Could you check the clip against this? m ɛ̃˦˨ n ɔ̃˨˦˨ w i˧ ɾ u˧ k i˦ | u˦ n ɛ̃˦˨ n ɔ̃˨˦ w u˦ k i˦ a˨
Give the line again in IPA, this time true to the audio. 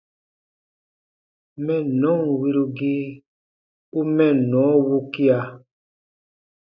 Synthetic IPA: m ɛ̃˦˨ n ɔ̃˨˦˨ w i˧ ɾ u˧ ɡ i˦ | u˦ m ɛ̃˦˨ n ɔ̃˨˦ w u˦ k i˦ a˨

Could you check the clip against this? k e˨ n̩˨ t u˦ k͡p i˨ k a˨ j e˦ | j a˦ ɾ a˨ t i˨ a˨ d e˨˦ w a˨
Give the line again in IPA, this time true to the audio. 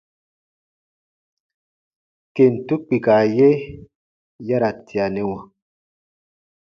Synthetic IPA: k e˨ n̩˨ t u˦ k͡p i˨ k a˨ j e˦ | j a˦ ɾ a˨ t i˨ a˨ n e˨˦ w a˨

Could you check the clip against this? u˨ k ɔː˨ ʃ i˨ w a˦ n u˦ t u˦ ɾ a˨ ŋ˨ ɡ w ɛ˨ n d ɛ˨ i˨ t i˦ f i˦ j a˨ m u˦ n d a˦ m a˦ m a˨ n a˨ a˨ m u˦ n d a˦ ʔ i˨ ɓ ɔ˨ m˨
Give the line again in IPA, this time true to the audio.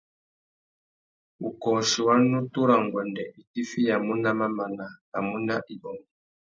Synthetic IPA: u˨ k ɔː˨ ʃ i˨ w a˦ n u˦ t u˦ ɾ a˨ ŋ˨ ɡ w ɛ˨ n d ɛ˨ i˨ t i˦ f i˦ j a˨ m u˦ n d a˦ m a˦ m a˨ n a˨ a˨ m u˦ n d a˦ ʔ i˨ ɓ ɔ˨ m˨

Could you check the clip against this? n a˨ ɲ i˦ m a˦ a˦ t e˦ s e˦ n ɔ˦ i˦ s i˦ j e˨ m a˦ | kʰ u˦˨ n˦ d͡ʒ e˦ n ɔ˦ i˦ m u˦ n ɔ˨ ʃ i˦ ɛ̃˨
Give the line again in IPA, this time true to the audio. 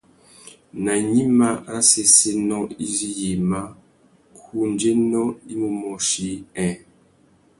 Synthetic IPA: n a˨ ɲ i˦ m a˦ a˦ s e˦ s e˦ n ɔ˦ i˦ z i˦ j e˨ m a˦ | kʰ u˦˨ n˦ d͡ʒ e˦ n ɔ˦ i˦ m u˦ m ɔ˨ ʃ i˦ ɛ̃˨

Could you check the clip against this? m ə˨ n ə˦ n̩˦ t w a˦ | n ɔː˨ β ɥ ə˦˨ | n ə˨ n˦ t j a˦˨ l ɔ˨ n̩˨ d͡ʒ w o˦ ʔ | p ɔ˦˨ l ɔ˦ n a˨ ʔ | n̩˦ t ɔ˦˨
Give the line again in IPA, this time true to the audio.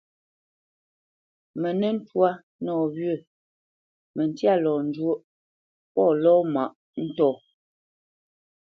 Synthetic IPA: m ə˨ n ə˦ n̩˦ t w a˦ | n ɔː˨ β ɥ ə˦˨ | m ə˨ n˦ t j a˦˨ l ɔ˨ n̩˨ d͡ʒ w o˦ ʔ | p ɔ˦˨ l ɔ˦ m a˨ ʔ | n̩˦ t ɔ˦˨

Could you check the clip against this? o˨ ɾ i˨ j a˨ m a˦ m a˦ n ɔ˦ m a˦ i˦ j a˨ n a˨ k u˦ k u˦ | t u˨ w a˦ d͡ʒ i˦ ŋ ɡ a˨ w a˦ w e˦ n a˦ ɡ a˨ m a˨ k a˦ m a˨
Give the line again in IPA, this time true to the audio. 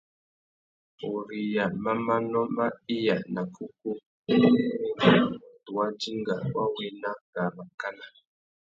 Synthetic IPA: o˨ ɾ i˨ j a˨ m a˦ m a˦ n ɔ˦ m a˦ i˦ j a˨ n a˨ k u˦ k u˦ | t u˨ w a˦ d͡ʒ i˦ ŋ ɡ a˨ w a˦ w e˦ n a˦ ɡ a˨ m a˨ k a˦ n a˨

